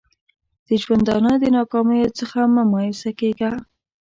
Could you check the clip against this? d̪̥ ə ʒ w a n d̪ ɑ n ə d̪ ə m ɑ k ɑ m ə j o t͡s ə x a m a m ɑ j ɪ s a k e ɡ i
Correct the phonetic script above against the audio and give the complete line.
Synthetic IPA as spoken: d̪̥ ə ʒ w a n d̪ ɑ n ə d̪ ə n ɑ k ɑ m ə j o t͡s ə x a m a m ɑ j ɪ s a k e ɡ a